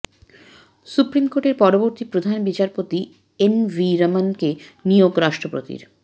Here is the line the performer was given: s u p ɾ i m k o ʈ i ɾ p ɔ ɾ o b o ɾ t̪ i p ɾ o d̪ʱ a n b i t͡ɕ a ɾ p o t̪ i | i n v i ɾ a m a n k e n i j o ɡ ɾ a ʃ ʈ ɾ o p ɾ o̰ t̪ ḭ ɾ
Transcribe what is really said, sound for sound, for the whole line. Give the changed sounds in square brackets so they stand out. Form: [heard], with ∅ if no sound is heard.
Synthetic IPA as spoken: s u p ɾ i m k o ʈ [e] ɾ p ɔ ɾ o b o ɾ t̪ i p ɾ o d̪ʱ a n b i t͡ɕ a ɾ p o t̪ i | [e] n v i ɾ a m a n k e n i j o ɡ ɾ a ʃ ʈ ɾ o p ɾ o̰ t̪ ḭ ɾ